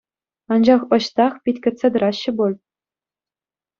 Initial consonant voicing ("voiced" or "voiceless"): voiced